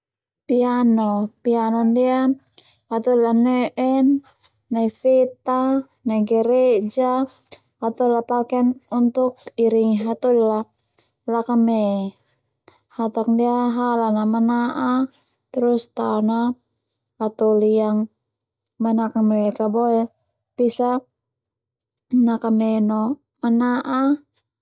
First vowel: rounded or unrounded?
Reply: unrounded